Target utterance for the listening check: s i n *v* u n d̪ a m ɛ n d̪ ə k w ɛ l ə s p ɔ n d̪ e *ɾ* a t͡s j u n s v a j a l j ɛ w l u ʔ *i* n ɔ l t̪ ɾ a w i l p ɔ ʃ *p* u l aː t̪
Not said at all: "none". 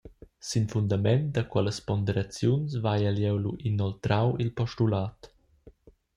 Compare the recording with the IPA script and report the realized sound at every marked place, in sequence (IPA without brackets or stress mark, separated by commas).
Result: f, ɾ, i, t